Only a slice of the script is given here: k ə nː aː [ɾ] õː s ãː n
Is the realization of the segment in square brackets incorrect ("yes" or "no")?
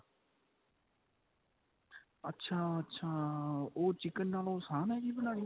yes